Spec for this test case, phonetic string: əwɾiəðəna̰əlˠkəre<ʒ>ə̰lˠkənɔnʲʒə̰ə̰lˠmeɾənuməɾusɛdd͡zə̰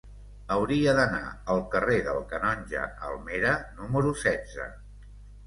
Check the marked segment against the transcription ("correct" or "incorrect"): incorrect